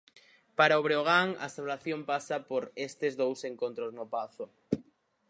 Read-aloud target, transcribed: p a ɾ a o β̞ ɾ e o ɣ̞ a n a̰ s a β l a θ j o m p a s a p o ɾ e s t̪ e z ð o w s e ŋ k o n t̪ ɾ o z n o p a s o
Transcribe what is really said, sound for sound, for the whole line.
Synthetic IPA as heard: p a ɾ a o β̞ ɾ e o ɣ̞ a ŋ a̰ s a β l a θ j o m p a s a p o ɾ e s t̪ e z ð o w s e ŋ k o n t̪ ɾ o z n o p a θ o